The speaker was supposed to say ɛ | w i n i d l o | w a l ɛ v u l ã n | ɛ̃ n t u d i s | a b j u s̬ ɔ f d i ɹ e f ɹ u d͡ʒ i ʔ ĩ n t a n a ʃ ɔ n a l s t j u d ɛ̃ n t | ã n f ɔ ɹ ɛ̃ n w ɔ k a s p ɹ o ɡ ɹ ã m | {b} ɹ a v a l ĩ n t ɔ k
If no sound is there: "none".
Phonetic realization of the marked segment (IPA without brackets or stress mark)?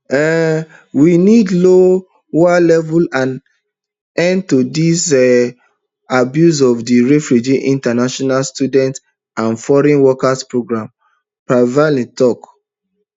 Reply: p